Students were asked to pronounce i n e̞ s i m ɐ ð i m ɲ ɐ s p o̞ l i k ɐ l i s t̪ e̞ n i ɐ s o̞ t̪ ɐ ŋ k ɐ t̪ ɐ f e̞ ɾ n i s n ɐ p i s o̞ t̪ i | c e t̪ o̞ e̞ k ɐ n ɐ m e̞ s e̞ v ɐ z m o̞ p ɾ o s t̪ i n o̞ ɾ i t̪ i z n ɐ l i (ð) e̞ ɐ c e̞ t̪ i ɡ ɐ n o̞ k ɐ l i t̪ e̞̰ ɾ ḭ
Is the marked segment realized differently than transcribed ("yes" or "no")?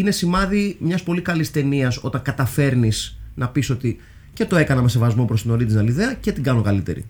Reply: no